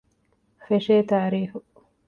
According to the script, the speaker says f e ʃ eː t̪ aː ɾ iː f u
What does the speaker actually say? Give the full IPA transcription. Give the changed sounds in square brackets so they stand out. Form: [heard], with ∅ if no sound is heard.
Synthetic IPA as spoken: f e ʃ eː t̪ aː ɾ iː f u